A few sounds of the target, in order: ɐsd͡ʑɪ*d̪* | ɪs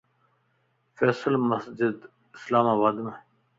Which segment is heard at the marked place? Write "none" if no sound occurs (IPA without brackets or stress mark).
d̪